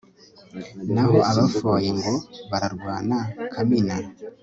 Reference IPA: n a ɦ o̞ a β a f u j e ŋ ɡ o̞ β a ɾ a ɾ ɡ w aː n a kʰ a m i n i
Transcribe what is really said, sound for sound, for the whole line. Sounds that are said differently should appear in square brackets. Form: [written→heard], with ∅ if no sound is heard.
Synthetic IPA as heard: n a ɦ o̞ a β a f [u→o] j e ŋ ɡ o̞ β a ɾ a ɾ ɡ w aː n a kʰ a m i n [i→a]